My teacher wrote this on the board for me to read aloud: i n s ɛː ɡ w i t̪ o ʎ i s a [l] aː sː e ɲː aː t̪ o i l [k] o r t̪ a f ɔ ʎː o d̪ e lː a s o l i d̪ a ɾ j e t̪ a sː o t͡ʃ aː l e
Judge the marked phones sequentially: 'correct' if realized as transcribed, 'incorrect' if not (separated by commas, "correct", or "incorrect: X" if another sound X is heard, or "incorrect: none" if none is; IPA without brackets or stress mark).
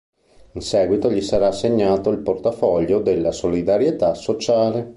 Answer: incorrect: ɾ, incorrect: p